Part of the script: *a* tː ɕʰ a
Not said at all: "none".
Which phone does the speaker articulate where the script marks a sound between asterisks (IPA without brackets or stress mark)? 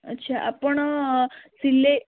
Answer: ə